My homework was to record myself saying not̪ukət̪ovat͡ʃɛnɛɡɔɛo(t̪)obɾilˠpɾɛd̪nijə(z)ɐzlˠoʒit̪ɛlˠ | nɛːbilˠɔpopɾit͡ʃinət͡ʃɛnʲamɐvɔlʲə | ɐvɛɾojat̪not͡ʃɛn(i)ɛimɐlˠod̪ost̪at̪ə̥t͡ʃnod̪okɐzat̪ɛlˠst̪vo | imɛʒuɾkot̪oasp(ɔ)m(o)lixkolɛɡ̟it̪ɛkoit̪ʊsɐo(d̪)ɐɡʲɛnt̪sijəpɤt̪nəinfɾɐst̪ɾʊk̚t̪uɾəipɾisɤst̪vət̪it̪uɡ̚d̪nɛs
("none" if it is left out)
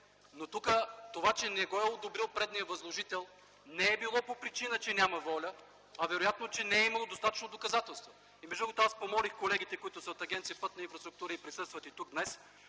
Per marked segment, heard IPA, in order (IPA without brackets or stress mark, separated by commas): d̪, v, ɛ, o, ɔ, t̪